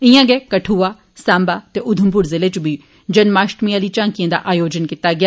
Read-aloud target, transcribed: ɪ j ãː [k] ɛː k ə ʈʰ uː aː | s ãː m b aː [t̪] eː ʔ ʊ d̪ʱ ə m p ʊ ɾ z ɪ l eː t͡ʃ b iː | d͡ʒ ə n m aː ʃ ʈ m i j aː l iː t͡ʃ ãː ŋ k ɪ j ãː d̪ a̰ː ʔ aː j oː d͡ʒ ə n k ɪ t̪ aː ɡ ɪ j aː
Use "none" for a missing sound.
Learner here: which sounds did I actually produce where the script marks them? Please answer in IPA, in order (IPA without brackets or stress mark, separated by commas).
ɡ, t̪